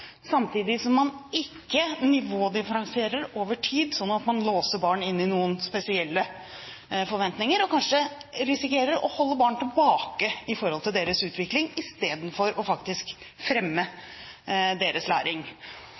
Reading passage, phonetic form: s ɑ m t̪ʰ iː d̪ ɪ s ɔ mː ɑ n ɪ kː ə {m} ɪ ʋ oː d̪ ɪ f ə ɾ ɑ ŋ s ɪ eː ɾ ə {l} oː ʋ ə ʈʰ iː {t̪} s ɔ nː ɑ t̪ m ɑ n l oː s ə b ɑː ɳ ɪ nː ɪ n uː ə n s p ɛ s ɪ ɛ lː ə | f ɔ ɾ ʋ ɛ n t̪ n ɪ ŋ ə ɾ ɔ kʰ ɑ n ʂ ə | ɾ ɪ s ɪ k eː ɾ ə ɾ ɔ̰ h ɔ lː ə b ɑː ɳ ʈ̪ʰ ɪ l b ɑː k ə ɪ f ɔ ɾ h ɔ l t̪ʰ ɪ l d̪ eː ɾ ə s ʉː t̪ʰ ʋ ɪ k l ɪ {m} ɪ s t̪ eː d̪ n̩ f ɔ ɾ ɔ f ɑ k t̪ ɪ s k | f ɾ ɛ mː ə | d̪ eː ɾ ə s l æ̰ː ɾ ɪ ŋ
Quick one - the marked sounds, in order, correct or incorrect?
incorrect, incorrect, incorrect, incorrect

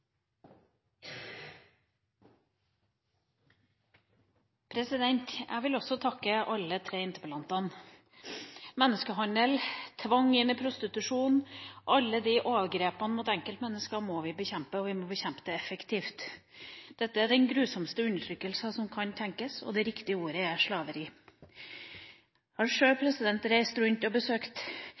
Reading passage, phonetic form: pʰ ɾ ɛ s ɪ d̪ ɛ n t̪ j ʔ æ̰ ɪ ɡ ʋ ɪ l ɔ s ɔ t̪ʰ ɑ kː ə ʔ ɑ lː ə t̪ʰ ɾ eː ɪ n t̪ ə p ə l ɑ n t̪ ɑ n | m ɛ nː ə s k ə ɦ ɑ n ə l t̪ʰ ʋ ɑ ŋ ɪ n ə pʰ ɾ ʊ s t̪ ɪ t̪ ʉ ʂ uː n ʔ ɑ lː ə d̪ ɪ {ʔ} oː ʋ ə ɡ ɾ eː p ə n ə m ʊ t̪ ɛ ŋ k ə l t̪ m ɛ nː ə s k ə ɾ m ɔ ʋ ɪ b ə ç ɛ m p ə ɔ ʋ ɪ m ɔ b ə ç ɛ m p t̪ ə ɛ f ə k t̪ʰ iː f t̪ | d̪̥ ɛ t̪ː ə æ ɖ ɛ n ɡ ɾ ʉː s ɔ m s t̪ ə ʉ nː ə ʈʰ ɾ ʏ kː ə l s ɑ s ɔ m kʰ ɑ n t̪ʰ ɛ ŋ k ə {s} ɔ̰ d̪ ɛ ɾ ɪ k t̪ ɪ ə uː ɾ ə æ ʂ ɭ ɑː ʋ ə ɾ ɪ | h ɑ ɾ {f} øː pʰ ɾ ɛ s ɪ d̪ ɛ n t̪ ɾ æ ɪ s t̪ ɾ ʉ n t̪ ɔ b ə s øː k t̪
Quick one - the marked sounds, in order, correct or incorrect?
correct, correct, incorrect

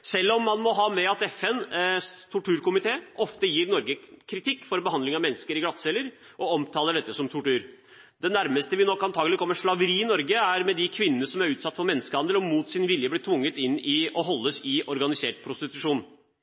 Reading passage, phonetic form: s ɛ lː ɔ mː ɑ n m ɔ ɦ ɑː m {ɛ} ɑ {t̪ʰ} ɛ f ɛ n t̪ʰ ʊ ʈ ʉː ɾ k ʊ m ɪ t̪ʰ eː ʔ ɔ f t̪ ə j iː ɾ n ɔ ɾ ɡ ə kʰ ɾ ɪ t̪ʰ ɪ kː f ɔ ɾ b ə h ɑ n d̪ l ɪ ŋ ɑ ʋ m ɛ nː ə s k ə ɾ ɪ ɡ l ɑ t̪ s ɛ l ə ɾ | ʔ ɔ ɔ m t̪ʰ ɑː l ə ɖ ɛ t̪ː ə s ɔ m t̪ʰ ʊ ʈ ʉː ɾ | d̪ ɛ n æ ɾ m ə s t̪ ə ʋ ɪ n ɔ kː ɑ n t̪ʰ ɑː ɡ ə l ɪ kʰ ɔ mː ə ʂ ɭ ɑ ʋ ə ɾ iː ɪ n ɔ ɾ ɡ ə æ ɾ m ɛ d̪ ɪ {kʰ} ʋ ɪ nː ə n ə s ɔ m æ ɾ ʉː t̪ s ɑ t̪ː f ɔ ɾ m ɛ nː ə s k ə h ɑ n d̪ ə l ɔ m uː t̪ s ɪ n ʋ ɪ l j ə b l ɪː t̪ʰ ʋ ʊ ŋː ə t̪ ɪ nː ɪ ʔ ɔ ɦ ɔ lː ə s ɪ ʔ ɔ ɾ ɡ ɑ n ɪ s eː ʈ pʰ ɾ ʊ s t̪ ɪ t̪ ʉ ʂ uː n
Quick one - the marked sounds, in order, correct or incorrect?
correct, incorrect, correct

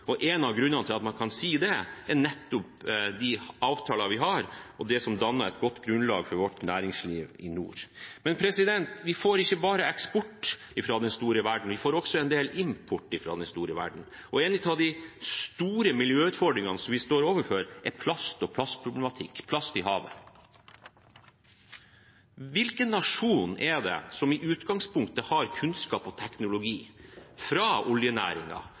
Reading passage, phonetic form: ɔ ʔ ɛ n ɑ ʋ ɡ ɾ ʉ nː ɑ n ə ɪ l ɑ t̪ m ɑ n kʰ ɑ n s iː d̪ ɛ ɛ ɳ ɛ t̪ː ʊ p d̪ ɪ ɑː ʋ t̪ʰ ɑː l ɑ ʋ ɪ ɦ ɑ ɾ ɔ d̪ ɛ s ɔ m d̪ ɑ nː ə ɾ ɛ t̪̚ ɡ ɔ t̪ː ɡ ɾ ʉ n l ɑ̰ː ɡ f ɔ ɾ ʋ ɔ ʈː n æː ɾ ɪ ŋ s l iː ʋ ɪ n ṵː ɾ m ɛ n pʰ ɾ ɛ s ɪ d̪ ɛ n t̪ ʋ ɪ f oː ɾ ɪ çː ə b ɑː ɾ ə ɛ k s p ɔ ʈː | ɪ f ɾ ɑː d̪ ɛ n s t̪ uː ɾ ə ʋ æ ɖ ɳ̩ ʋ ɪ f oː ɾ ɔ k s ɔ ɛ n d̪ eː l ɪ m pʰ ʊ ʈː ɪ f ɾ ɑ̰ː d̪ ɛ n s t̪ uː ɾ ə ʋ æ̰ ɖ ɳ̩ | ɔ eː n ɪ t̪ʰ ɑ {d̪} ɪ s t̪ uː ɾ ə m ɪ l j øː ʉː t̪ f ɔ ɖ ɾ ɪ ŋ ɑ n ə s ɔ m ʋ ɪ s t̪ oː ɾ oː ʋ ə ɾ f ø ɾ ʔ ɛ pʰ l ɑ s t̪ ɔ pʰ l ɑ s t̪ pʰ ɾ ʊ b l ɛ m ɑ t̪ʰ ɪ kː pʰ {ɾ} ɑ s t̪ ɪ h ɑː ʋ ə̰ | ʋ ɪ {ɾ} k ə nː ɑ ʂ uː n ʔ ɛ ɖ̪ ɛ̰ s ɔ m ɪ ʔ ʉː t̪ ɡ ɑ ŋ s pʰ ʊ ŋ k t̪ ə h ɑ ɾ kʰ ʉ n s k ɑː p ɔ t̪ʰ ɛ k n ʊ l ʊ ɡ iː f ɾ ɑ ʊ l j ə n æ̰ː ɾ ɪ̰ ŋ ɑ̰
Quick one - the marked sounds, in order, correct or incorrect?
correct, incorrect, incorrect

